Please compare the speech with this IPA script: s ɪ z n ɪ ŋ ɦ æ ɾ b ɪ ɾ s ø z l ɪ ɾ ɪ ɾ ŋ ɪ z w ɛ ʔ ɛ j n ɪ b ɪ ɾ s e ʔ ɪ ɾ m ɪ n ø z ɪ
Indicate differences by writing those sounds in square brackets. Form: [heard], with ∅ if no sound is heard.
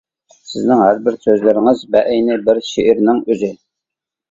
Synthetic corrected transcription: s ɪ z n ɪ ŋ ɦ æ ɾ b ɪ ɾ s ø z l ɪ ɾ ɪ [∅] ŋ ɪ z [b] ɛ ʔ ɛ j n ɪ b ɪ ɾ [ʃ] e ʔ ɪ ɾ [n] ɪ [ŋ] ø z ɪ

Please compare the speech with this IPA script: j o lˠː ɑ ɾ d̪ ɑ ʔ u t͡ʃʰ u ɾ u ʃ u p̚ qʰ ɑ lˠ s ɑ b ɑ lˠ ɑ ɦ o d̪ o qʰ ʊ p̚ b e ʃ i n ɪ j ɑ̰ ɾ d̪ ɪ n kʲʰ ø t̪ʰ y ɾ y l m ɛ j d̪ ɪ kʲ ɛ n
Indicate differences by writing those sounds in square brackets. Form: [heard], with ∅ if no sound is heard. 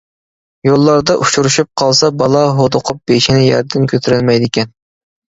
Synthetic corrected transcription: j o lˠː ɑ ɾ d̪ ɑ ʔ u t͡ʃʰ u ɾ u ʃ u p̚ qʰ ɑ lˠ s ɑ b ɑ lˠ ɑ ɦ o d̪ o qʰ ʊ p̚ b e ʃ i n ɪ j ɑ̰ ɾ d̪ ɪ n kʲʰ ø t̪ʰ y ɾ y l m ɛ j d̪ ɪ kʲ ɛ n

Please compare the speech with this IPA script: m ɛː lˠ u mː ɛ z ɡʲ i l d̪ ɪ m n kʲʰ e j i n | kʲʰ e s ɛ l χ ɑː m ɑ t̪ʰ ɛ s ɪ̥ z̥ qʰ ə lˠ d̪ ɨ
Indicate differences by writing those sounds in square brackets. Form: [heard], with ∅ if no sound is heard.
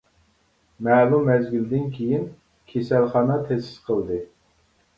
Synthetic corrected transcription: m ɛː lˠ u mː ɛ z ɡʲ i l d̪ ɪ [∅] n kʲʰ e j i n | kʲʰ e s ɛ l χ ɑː [n] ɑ t̪ʰ ɛ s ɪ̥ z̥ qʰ ə lˠ d̪ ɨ

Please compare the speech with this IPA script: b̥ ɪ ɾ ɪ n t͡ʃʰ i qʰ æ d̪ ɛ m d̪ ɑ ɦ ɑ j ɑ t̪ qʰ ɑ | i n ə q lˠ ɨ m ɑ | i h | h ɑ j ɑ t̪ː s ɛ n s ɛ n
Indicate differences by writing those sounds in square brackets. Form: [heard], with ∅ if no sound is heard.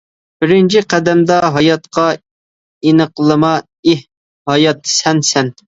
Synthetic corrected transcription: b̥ ɪ ɾ ɪ n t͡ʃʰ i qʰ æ d̪ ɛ m d̪ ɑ ɦ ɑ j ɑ t̪ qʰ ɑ | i n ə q lˠ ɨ m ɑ | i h | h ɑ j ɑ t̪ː s ɛ n s ɛ n

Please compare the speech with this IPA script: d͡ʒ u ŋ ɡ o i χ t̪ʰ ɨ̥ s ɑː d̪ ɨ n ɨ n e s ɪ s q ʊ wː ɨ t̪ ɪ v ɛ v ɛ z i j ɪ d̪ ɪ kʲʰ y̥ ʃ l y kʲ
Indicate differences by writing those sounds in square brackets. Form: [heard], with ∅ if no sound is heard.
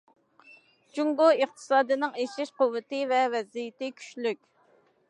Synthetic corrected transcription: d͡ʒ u ŋ ɡ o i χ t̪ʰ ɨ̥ s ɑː d̪ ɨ n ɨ [ŋ] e [ʃ] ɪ [ʃ] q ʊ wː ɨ t̪ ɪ v ɛ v ɛ z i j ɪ [t̪] ɪ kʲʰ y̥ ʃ l y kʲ

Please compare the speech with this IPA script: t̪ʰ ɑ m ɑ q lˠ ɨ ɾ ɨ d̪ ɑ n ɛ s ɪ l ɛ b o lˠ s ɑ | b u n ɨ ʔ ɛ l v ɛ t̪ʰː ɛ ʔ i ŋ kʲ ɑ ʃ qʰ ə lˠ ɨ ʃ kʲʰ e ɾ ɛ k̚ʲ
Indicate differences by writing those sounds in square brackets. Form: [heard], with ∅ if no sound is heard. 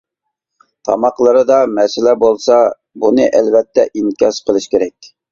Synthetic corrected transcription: t̪ʰ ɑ m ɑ q lˠ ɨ ɾ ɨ d̪ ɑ [m] ɛ s ɪ l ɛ b o lˠ s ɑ | b u n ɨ ʔ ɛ l v ɛ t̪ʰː ɛ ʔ i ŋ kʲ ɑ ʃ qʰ ə lˠ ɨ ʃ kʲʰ e ɾ ɛ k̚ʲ

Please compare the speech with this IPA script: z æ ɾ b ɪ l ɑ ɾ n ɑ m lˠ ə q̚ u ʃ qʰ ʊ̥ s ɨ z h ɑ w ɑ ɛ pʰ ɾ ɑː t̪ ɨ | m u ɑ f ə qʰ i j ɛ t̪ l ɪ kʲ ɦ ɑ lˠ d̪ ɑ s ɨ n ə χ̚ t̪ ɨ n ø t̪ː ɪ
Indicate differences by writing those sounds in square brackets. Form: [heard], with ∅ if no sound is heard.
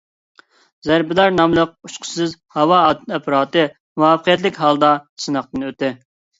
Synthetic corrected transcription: z æ ɾ b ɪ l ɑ ɾ n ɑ m lˠ ə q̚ u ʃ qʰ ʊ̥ s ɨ z h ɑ w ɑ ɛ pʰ ɾ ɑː t̪ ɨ | m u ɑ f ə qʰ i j ɛ t̪ l ɪ kʲ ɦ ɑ lˠ d̪ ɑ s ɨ n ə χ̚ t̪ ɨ n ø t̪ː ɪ

